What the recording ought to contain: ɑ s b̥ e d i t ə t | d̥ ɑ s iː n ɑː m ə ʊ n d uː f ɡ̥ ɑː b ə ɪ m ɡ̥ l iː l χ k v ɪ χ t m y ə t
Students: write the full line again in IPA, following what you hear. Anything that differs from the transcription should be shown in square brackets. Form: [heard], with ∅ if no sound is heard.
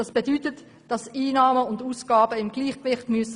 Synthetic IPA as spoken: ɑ s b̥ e d [y] t ə t | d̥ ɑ s iː n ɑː m ə ʊ n d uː [s] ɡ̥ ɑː b ə ɪ m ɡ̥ l iː [∅] χ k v ɪ χ t m y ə [s]